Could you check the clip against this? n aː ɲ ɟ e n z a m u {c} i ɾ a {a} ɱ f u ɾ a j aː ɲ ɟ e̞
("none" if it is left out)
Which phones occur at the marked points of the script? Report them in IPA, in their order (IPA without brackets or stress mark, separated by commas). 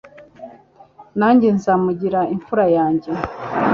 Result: ɟ, i